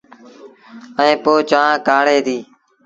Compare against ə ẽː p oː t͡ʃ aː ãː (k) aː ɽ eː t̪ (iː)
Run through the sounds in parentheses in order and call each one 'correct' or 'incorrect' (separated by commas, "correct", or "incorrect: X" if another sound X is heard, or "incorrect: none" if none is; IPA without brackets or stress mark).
correct, correct